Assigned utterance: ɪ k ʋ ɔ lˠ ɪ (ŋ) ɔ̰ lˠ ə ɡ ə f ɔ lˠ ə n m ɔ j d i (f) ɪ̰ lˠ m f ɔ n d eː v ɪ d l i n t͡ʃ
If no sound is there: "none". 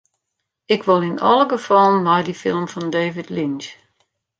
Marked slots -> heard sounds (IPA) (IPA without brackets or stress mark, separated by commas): n, f